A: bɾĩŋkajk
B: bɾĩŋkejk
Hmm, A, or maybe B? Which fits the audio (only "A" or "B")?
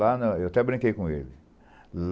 B